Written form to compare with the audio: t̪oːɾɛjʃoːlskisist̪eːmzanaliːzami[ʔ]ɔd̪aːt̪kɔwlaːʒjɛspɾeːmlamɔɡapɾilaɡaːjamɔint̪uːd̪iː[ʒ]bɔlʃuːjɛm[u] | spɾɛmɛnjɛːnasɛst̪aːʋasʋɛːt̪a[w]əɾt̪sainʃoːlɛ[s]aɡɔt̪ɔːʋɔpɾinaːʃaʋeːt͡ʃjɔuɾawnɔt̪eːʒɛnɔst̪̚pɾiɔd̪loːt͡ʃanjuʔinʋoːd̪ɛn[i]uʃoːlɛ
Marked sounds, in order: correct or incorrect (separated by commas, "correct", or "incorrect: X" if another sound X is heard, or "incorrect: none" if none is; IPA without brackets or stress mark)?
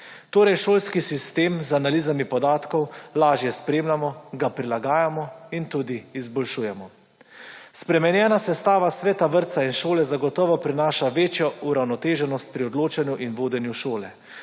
incorrect: p, incorrect: z, incorrect: ɔ, incorrect: ʋ, incorrect: z, incorrect: j